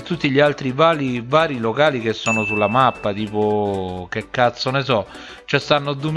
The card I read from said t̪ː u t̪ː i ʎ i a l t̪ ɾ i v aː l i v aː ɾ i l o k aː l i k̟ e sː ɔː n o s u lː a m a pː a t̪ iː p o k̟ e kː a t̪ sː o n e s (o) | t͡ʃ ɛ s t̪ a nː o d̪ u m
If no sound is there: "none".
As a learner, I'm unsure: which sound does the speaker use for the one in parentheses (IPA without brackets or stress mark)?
ɔ